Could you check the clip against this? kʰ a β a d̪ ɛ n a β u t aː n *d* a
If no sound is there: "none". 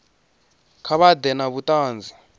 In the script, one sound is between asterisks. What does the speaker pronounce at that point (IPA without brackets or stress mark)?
d͡z